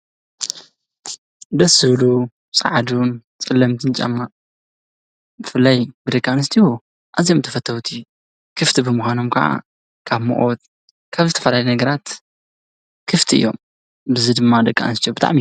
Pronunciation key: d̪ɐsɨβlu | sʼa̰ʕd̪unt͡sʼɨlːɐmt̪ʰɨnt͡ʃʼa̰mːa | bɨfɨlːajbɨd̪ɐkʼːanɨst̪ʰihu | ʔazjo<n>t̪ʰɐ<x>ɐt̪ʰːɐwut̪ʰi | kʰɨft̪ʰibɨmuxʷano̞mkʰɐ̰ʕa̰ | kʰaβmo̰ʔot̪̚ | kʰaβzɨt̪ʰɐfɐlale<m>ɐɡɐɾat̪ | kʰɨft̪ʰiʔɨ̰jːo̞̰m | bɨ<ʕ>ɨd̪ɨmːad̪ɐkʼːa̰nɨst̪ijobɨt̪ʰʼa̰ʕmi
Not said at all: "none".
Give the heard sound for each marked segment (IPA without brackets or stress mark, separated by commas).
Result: m, f, n, z